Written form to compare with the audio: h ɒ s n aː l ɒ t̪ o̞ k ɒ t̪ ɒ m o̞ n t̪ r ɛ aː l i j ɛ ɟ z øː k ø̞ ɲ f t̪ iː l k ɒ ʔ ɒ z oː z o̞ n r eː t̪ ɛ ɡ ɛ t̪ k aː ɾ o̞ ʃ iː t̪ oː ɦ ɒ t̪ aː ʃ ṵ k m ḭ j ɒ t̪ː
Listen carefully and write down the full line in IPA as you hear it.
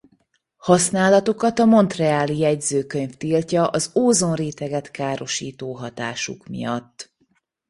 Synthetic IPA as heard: h ɒ s n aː l ɒ t̪ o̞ k ɒ t̪ ɒ m o̞ n t̪ r ɛ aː l i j ɛ ɟ z øː k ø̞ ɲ f t̪ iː l c ɒ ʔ ɒ z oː z o̞ n r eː t̪ ɛ ɡ ɛ t̪ k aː ɾ o̞ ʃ iː t̪ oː ɦ ɒ t̪ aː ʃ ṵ k m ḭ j ɒ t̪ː